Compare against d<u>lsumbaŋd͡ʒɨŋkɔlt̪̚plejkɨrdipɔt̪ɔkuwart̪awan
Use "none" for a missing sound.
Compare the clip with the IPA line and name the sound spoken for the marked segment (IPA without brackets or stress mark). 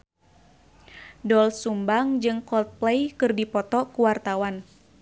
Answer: ɔ